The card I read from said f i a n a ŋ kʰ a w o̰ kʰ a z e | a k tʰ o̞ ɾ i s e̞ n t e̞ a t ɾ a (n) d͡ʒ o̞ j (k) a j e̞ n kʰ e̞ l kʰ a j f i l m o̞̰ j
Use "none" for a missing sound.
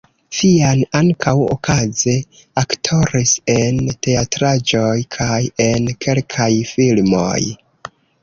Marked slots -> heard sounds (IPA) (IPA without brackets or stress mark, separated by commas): none, kʰ